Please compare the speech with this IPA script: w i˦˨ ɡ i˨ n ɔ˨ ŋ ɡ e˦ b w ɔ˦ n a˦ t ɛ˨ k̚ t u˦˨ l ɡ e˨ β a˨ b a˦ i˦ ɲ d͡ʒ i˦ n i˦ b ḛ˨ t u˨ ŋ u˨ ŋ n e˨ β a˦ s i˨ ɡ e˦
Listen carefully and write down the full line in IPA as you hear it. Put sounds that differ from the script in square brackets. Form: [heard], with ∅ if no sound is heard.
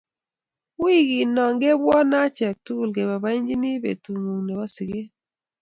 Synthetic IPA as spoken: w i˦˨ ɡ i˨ n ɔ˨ ŋ ɡ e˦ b w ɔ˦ n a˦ [t͡ʃ] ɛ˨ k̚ t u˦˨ l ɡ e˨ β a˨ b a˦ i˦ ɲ d͡ʒ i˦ n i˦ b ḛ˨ t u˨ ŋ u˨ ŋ n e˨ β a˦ s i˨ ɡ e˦